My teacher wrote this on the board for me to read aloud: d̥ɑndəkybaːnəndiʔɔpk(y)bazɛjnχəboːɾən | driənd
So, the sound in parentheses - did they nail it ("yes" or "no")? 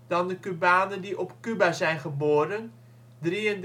yes